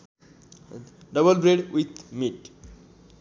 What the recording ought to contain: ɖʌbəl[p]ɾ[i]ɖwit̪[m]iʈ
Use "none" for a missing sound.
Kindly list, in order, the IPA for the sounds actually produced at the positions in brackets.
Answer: b, e, m

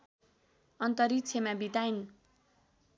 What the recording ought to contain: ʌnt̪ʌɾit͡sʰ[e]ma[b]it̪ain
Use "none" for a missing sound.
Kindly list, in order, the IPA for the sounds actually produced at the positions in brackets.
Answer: e, b

